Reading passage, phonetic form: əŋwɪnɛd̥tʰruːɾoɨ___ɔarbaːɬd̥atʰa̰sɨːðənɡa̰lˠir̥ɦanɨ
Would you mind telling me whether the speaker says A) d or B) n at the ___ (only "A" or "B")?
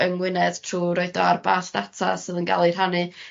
A